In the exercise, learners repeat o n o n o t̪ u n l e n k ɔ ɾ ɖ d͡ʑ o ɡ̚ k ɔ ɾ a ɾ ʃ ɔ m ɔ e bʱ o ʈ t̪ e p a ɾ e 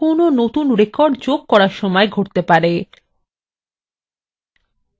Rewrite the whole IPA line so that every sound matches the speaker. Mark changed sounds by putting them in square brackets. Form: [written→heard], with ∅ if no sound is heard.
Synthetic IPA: o n o n o t̪ u n [l→ɾ] e [n→∅] k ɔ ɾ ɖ d͡ʑ o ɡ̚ k ɔ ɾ a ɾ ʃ ɔ m ɔ e [bʱ→ɡʱ] o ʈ t̪ e p a ɾ e